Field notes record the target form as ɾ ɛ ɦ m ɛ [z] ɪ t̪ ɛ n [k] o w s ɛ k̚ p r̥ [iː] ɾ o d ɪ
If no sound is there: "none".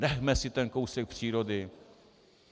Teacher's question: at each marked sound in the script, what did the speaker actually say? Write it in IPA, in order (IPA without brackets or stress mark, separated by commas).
s, k, iː